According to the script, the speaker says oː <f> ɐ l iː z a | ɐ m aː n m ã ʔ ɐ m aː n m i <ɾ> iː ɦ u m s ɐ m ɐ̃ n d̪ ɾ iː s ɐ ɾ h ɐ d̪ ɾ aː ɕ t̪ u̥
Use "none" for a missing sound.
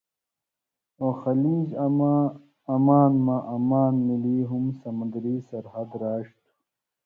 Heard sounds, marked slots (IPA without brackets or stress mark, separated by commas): x, l